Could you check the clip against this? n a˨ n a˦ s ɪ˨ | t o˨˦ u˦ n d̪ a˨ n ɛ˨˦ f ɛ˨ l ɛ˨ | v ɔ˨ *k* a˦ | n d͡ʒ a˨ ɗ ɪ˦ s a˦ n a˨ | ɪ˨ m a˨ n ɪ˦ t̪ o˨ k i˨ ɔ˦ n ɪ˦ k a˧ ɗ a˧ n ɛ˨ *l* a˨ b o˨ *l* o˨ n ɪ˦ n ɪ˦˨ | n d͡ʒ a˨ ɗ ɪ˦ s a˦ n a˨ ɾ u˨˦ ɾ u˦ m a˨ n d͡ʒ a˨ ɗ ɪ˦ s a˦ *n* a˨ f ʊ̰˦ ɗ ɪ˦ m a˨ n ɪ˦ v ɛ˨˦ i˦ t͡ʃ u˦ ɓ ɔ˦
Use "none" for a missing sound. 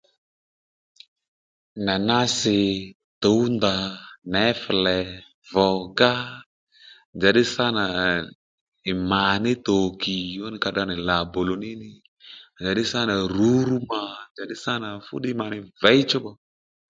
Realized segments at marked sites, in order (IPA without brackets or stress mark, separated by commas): ɡ, l, l, n